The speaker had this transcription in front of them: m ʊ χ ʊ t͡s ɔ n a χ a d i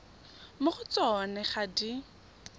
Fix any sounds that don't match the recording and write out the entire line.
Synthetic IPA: m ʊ χ ʊ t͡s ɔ n ɛ χ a d i